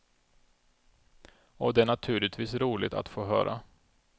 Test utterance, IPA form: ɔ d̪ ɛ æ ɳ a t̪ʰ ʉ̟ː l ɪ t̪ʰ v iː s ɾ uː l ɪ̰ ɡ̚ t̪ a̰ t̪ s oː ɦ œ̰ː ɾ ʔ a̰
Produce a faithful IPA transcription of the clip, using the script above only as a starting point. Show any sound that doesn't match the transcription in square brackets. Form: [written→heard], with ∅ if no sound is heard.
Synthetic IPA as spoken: ɔ d̪ ɛ æ ɳ a t̪ʰ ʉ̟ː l ɪ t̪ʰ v iː s ɾ uː l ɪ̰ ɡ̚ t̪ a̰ t̪ [s→f] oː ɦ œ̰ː ɾ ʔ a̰